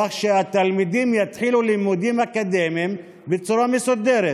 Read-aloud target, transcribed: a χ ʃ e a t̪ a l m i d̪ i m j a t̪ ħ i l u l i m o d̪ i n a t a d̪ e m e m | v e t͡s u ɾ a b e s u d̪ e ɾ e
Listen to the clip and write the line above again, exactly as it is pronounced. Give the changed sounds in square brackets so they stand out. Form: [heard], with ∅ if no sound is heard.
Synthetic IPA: a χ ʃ e a t̪ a l m i d̪ i m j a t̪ ħ i l u l i m [u] d̪ i [m] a [k] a d̪ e m [i] m | [b] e t͡s u ɾ a [m] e s u d̪ e ɾ e